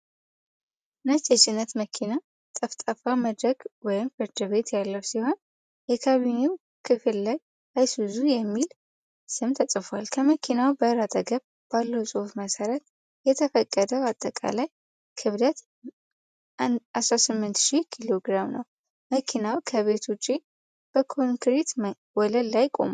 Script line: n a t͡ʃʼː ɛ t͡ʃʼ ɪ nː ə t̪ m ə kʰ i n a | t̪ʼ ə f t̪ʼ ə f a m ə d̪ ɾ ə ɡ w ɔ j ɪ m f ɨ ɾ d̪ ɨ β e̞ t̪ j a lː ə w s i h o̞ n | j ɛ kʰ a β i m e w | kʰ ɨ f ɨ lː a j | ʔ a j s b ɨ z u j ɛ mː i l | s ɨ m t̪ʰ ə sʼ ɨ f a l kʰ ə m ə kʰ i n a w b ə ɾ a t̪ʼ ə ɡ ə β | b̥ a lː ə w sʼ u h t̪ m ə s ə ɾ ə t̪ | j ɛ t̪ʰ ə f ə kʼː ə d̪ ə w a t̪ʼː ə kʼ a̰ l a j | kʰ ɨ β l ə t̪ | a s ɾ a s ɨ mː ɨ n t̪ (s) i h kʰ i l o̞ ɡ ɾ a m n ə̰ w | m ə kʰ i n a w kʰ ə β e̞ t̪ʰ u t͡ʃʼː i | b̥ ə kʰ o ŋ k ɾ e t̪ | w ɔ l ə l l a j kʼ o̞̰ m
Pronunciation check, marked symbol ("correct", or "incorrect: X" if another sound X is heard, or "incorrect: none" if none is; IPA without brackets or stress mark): incorrect: ʃ